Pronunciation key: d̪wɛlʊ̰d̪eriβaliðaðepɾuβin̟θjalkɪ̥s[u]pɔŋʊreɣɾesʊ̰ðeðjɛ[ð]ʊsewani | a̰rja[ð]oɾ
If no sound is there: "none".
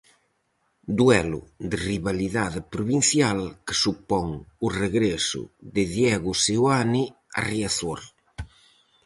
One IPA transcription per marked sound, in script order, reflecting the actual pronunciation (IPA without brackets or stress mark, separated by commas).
u, ɣ, θ